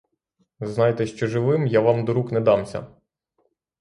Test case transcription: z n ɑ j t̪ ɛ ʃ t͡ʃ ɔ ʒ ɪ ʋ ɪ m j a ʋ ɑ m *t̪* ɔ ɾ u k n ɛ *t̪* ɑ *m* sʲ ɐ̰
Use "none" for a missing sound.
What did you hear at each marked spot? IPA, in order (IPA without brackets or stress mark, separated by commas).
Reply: d̪, d̪, m